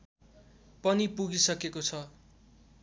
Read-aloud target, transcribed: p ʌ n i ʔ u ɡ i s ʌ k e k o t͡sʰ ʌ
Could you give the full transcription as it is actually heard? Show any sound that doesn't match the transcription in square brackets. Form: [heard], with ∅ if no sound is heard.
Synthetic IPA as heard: p ʌ n i [p] u ɡ i s ʌ k e k o t͡sʰ ʌ